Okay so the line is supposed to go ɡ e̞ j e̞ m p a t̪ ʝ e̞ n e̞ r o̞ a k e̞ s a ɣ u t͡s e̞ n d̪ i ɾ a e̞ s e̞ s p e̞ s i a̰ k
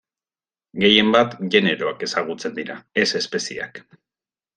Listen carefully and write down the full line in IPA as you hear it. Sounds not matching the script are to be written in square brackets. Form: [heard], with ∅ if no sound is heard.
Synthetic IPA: ɡ e̞ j e̞ m [b] a t̪ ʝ e̞ n e̞ [ɾ] o̞ a k e̞ s a ɣ u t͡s e̞ n d̪ i ɾ a e̞ s e̞ s p e̞ s i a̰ k